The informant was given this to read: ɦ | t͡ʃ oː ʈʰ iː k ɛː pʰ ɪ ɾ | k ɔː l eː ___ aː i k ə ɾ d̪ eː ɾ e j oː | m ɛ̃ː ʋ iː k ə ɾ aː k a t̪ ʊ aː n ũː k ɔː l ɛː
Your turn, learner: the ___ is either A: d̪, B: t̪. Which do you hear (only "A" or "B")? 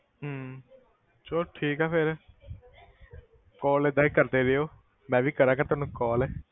A